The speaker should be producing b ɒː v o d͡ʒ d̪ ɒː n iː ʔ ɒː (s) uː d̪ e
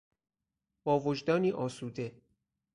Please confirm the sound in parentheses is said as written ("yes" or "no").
yes